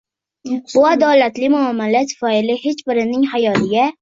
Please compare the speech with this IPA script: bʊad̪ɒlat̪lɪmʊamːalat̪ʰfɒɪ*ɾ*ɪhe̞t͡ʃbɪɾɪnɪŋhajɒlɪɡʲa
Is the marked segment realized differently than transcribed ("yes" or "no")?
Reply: yes